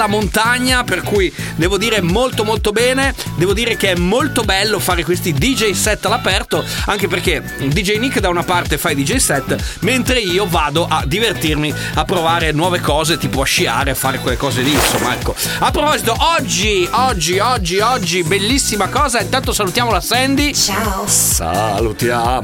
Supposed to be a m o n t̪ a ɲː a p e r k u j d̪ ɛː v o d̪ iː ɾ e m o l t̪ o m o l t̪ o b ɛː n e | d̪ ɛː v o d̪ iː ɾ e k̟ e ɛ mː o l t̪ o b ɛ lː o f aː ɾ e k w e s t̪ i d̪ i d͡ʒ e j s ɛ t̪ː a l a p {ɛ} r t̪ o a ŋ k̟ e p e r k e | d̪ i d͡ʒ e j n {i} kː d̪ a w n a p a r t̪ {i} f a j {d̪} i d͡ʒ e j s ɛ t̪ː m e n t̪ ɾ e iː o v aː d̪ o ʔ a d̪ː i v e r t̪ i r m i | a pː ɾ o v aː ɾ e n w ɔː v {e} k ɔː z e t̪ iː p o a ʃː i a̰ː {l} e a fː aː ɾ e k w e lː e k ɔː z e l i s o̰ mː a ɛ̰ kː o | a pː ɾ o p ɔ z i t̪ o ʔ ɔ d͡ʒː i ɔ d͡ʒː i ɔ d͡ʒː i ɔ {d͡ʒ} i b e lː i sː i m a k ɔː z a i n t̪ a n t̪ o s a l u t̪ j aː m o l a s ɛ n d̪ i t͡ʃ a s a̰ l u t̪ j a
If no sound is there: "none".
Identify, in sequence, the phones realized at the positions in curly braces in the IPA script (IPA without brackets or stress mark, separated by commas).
ɛ, i, e, d̪, e, ɾ, d͡ʒː